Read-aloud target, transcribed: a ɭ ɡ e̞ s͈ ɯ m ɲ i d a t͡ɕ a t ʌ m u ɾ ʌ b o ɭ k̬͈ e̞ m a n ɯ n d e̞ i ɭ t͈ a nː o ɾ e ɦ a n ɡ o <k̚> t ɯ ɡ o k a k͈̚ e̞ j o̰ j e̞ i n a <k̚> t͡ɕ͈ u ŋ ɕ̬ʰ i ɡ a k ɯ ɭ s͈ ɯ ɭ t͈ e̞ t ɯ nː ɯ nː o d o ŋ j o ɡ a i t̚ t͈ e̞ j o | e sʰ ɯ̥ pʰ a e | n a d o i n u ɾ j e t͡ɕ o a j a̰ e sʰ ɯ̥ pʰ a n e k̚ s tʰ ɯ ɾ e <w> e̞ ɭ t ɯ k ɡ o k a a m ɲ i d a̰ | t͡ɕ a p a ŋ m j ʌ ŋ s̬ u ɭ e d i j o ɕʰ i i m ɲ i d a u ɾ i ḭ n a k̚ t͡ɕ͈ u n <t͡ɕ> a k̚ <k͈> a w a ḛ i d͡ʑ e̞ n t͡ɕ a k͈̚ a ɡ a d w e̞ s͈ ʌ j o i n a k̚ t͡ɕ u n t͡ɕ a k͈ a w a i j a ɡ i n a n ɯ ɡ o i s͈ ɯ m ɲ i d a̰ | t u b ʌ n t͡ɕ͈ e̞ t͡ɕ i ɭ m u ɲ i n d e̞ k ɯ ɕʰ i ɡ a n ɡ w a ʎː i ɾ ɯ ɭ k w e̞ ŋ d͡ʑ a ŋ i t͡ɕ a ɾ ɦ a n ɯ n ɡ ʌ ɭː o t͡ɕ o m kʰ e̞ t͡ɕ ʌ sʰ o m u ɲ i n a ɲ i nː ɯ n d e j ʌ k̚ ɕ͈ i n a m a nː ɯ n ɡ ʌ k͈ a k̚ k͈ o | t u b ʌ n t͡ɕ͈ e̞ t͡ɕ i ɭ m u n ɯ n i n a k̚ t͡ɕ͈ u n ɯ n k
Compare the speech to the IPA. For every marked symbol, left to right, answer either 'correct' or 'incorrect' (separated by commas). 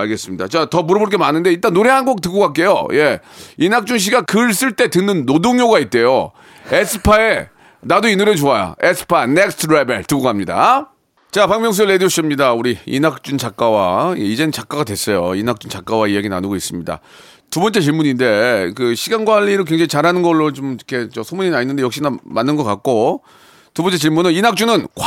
correct, correct, incorrect, correct, correct